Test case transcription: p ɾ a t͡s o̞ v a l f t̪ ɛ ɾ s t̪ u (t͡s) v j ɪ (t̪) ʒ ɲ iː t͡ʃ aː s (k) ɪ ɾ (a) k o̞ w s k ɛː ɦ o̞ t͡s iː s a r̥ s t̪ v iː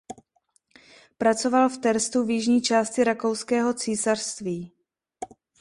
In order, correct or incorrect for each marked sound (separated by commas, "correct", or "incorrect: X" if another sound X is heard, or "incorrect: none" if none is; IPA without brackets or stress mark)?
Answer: incorrect: none, incorrect: none, incorrect: c, correct